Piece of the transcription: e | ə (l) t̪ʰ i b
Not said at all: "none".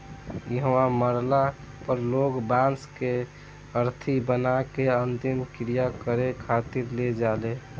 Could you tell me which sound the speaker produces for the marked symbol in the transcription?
ɾ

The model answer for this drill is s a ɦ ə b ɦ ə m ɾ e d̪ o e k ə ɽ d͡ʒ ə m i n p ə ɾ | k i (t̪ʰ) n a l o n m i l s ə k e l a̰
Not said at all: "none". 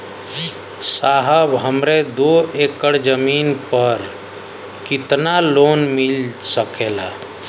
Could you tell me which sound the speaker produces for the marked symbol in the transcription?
t̪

